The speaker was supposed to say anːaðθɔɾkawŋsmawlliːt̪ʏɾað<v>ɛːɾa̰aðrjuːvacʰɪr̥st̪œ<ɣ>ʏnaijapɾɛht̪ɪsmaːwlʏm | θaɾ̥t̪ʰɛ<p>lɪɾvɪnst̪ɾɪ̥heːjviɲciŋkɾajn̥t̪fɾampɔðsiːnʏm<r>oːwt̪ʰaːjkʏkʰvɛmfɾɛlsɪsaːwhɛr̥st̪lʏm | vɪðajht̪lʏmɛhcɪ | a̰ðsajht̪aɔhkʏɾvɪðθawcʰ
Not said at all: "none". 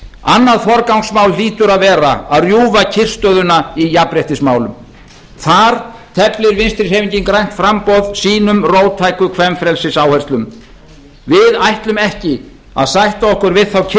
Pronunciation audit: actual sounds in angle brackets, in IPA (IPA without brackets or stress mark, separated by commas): v, ð, p, r